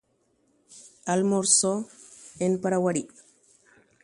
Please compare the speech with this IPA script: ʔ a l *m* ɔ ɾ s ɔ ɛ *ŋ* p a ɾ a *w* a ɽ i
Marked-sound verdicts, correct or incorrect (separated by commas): correct, incorrect, correct